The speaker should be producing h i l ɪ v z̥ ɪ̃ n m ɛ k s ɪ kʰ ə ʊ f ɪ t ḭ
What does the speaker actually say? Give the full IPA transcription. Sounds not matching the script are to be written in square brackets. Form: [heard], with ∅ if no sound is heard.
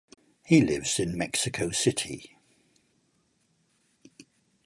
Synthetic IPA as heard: h i l ɪ v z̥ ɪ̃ n m ɛ k s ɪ kʰ ə ʊ [s] ɪ [tʰ] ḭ

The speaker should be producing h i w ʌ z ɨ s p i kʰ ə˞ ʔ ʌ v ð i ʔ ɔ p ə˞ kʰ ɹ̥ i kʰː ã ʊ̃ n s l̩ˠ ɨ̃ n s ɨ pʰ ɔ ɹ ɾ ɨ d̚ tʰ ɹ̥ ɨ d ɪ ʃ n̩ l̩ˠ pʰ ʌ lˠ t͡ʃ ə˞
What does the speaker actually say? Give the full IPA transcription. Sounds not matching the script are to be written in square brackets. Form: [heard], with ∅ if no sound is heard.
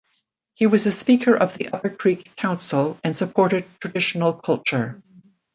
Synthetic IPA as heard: h i w ʌ z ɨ s p i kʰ ə˞ ʔ ʌ v ð i ʔ [ʌ] p ə˞ kʰ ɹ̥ i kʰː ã ʊ̃ n s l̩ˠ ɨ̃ n s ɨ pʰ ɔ ɹ ɾ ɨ d̚ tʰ ɹ̥ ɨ d ɪ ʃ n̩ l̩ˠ [kʰ] ʌ lˠ t͡ʃ ə˞

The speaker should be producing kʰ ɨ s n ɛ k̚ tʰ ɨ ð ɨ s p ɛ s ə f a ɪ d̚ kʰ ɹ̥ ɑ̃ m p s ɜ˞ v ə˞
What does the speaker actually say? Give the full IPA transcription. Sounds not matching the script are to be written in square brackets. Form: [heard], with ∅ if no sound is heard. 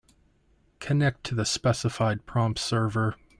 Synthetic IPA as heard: kʰ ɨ [∅] n ɛ k̚ tʰ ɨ ð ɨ s p ɛ s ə f a ɪ d̚ [pʰ] ɹ̥ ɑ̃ m p s ɜ˞ v ə˞

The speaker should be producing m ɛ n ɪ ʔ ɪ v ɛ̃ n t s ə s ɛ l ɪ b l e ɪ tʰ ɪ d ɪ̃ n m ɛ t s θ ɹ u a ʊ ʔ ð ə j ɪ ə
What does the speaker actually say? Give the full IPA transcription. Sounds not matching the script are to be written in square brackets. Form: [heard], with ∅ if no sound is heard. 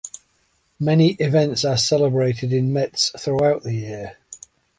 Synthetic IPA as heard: m ɛ n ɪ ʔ ɪ v ɛ̃ n t s ə s ɛ l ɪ b [ɹ] e ɪ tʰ ɪ d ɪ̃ n m ɛ t s θ ɹ u a ʊ ʔ ð ə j ɪ ə

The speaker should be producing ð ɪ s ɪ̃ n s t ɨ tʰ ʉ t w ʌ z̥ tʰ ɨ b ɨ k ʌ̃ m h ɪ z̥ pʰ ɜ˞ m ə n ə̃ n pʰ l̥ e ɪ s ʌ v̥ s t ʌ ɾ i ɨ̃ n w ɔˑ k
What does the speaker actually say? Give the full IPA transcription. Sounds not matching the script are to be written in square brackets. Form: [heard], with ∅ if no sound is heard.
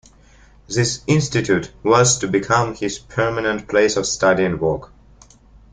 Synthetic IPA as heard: ð ɪ s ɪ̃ n s t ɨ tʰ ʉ t w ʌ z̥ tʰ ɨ b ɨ [kʰ] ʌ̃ m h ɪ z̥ pʰ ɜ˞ m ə n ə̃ n pʰ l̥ e ɪ s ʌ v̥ s t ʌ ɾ i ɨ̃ n w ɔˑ k

